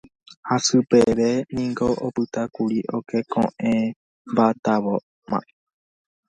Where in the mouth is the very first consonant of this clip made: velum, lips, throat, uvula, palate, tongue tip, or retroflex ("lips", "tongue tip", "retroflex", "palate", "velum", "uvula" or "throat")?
throat